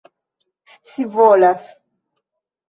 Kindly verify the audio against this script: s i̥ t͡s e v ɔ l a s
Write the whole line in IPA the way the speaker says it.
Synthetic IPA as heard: s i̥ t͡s i v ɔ l a s

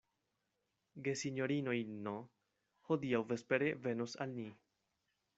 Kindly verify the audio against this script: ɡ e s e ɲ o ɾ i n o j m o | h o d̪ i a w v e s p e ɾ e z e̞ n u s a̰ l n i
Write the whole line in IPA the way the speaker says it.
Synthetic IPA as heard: ɡ e s i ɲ o ɾ i n o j n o | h o d̪ i a w v e s p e ɾ e v e̞ n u s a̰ l n i

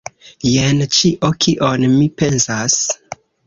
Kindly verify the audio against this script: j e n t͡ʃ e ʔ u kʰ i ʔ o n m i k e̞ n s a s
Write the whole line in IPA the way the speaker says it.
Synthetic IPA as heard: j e n t͡ʃ i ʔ o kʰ i ʔ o n m i p e̞ n s a s

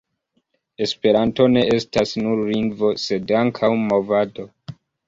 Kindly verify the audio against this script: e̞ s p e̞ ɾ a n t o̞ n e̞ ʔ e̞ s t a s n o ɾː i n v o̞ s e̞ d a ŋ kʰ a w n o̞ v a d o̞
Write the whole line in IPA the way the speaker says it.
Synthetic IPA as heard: e̞ s p e̞ ɾ a n t o̞ n e̞ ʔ e̞ s t a s n u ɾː i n v o̞ s e̞ d a ŋ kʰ a w m o̞ v a d o̞

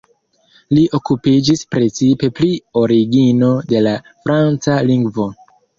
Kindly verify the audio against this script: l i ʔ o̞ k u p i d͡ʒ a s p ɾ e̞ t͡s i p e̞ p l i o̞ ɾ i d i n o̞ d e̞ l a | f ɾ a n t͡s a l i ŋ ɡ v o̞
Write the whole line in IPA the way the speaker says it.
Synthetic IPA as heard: l i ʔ o̞ k u p i d͡ʒ i s p ɾ e̞ t͡s i p e̞ p l i o̞ ɾ i ɡ i n o̞ d e̞ l a | f ɾ a n t͡s a l i ŋ ɡ v o̞

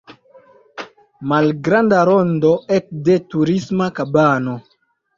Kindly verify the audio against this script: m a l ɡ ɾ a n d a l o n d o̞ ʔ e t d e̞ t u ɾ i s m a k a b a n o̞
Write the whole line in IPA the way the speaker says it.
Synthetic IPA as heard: m a l ɡ ɾ a n d a ɾ o n d o̞ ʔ e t d e̞ t u ɾ i s m a k a b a n o̞

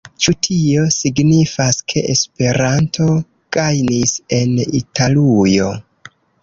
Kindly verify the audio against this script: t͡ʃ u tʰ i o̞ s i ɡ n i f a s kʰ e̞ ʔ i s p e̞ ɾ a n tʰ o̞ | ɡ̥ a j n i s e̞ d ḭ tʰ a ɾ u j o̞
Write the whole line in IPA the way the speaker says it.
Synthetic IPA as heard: t͡ʃ u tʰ i o̞ s i ɡ n i f a s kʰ e̞ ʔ e s p e̞ ɾ a n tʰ o̞ | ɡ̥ a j n i s e̞ n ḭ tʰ a l u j o̞

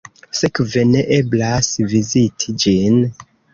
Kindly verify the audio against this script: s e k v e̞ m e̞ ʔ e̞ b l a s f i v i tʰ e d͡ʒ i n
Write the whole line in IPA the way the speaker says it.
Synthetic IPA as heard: s e k v e̞ n e̞ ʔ e̞ b l a s v i z i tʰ i d͡ʒ i n

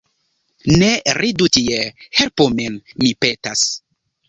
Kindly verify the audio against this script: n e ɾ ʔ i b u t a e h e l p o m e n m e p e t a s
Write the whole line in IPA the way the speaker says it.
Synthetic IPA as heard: n e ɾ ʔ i d u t i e h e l p o m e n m i p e t a s

